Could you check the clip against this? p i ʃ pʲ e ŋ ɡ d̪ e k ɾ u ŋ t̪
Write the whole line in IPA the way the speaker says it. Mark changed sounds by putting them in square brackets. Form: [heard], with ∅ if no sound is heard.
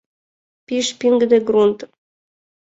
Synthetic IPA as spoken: p i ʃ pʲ [i] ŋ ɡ d̪ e [ɡ] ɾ u [n] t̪